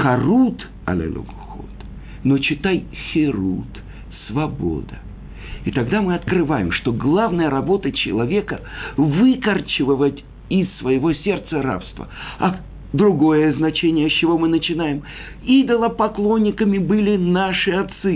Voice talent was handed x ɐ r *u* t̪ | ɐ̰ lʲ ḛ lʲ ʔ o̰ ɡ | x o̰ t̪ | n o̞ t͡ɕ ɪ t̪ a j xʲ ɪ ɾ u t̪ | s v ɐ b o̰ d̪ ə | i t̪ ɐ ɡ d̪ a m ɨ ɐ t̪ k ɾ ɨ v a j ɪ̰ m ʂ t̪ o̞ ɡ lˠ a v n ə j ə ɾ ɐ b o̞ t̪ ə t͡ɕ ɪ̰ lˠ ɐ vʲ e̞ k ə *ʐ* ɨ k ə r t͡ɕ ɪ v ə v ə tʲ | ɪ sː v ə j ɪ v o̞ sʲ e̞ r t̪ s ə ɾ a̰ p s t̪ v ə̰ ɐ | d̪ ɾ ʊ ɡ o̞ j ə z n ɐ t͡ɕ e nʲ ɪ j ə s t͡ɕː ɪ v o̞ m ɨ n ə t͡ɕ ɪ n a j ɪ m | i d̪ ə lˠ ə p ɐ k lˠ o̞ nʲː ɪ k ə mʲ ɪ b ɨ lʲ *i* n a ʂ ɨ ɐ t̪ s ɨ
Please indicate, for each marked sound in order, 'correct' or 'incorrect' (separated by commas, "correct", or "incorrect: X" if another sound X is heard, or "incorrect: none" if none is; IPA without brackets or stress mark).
correct, incorrect: v, incorrect: ɪ